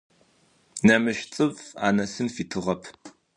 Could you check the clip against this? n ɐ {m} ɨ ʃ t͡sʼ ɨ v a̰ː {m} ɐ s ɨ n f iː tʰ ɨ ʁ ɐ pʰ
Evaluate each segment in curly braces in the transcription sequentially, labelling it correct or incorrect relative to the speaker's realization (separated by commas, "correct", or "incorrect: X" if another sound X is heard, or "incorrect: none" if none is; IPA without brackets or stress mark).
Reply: correct, incorrect: n